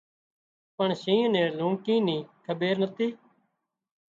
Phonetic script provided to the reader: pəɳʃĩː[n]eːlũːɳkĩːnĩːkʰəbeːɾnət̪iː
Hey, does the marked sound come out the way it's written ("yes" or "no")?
yes